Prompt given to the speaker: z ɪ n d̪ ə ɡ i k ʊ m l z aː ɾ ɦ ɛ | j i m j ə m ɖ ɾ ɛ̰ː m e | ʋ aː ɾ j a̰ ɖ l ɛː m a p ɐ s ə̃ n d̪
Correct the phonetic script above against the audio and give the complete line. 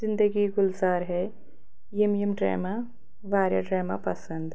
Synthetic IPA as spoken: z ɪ n d̪ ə ɡ i ɡ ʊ l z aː ɾ ɦ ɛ | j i m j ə m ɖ ɾ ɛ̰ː m a | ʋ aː ɾ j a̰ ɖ ɾ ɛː m a p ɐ s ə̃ n d̪